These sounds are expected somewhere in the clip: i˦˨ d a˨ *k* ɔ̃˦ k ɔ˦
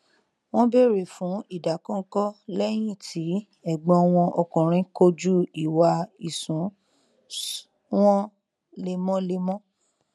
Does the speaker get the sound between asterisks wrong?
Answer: no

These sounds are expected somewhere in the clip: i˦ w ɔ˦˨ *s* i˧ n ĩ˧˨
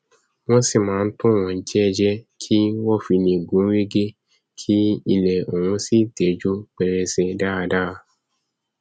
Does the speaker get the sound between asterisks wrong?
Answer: yes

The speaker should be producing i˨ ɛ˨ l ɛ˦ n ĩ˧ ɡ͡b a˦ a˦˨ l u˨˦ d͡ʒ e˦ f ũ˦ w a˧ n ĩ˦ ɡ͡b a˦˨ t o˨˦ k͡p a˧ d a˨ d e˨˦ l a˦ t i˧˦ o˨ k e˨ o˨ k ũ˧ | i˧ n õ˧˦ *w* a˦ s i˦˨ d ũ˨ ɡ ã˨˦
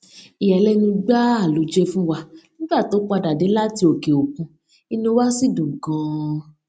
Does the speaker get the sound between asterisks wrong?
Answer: no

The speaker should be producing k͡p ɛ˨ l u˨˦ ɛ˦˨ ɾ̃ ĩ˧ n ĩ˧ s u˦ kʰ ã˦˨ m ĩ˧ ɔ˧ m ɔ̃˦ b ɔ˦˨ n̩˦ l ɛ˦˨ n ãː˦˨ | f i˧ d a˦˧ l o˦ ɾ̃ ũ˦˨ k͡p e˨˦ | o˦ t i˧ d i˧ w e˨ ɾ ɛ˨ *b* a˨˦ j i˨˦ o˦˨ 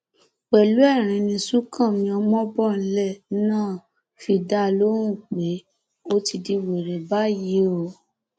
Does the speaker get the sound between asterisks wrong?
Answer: no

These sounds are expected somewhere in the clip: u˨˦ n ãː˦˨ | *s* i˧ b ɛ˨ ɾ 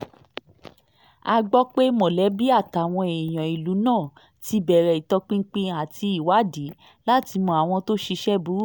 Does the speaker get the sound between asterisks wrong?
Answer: yes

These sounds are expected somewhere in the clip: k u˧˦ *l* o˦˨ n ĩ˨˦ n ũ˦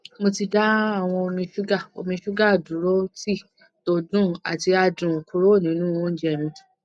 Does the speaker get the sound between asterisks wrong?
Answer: yes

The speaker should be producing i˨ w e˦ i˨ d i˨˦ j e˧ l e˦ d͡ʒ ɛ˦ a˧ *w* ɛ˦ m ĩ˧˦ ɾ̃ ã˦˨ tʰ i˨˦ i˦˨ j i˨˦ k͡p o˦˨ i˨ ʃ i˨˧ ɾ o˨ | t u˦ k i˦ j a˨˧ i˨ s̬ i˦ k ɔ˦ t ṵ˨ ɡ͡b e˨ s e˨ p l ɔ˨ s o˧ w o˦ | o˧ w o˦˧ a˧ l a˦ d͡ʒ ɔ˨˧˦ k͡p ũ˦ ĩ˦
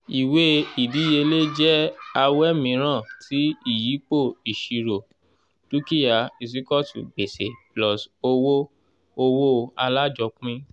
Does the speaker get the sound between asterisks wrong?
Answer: no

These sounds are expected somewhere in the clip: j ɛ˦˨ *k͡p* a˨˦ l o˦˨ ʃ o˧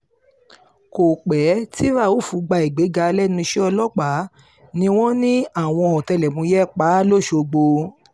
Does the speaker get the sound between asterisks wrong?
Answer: no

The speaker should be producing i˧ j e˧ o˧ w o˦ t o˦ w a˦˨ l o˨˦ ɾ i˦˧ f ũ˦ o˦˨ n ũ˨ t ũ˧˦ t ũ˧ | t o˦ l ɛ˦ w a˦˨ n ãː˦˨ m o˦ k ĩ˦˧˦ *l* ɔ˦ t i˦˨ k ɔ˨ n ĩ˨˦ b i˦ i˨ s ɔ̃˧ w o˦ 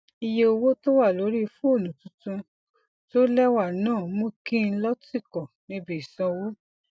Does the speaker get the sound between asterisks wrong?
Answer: no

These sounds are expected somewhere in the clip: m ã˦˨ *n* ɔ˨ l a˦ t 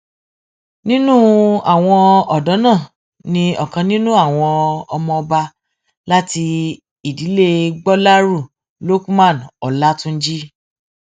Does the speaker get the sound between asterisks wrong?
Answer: no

